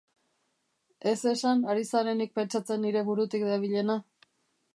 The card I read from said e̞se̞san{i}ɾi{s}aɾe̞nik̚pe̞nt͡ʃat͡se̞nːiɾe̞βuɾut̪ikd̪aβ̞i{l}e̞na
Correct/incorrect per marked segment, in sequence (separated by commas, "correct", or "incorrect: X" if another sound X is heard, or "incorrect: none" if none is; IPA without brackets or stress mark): incorrect: a, correct, incorrect: ʎ